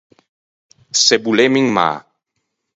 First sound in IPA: s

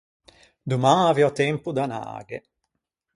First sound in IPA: d̪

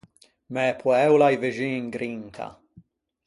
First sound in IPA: m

